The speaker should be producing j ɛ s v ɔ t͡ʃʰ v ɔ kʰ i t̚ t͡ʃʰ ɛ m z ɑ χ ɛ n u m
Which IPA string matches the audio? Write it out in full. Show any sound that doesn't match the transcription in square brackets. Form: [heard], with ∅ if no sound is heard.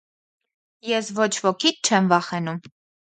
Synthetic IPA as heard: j ɛ s v ɔ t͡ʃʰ v ɔ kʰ i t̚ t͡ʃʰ ɛ m [v] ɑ χ ɛ n u m